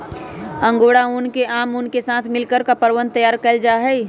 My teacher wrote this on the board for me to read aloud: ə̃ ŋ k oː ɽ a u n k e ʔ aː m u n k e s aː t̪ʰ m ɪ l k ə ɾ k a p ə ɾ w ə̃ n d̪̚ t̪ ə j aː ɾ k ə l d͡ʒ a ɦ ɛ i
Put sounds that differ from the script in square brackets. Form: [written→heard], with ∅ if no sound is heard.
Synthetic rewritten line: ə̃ ŋ [k→ɡ] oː ɽ a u n k e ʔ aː m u n k e s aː t̪ʰ m ɪ l k ə ɾ k a p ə ɾ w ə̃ n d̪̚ t̪ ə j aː ɾ k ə l d͡ʒ a ɦ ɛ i